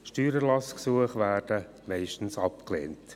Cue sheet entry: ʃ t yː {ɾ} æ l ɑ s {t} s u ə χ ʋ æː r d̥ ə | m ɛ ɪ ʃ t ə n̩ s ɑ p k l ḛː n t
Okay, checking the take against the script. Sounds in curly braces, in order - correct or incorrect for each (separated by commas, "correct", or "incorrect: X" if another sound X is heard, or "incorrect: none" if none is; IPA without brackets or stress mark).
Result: correct, incorrect: k